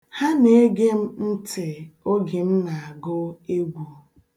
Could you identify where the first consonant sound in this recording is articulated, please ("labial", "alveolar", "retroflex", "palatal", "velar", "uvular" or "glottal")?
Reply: glottal